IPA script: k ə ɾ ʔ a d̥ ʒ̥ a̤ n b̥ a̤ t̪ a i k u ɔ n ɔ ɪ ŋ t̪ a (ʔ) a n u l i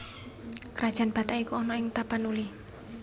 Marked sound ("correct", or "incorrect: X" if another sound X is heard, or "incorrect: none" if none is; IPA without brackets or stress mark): incorrect: p